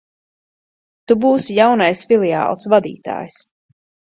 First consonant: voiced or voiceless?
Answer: voiceless